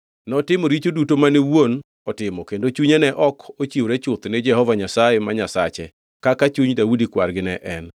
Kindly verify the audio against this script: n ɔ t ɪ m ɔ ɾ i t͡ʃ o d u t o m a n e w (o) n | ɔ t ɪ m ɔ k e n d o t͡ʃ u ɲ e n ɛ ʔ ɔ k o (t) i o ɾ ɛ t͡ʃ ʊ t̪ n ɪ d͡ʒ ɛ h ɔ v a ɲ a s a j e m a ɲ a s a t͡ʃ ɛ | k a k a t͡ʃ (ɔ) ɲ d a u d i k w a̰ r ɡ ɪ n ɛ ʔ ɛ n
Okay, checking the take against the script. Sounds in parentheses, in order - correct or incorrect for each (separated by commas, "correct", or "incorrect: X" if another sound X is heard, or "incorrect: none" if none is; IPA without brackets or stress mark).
correct, incorrect: t͡ʃ, incorrect: u